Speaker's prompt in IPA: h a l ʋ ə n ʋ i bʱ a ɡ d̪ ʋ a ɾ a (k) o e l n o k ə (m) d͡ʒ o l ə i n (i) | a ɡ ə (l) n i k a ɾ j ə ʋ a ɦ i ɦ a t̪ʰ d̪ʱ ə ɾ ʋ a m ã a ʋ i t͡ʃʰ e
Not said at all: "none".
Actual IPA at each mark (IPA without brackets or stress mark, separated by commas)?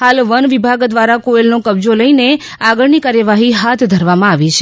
k, b, e, ɭ